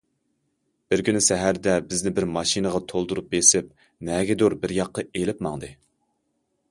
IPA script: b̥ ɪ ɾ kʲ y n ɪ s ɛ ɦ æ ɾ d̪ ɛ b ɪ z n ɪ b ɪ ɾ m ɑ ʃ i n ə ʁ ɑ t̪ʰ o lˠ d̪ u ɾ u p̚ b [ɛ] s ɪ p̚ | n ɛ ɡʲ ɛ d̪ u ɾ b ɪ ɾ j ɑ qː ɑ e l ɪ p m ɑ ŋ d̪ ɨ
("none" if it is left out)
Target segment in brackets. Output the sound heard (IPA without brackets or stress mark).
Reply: e